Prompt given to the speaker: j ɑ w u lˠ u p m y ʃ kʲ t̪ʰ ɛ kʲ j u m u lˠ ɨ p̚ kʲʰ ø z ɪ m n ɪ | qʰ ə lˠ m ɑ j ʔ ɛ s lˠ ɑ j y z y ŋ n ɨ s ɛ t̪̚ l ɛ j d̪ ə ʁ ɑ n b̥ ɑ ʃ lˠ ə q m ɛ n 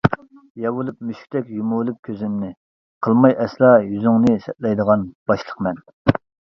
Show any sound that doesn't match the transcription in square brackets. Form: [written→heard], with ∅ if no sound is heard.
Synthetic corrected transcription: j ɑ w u lˠ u p m y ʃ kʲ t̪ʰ ɛ kʲ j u m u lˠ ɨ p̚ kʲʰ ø z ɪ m n ɪ | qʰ ə lˠ m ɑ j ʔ ɛ s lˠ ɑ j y z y ŋ n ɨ s ɛ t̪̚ l ɛ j d̪ ə ʁ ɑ n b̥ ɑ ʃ lˠ ə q m ɛ n